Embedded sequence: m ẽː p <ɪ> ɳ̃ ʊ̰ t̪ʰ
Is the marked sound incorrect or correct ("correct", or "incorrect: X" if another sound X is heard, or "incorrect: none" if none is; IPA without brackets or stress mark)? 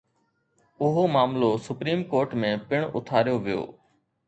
correct